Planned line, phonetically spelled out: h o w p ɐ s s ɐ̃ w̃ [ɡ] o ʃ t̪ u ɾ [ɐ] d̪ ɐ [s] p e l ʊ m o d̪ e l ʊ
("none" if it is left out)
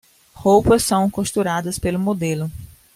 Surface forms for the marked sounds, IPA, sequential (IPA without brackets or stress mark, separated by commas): k, a, s